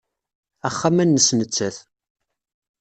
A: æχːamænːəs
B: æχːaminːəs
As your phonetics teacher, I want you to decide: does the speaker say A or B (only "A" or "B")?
A